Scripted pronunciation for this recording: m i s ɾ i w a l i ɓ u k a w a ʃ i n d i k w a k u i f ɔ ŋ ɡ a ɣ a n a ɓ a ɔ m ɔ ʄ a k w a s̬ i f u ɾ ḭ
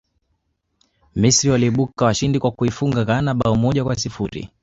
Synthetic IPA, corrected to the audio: m i s ɾ i w a l i ɓ u k a w a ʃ i n d i k w a k u i f u ŋ ɡ a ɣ a n a ɓ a ɔ m ɔ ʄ a k w a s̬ i f u ɾ ḭ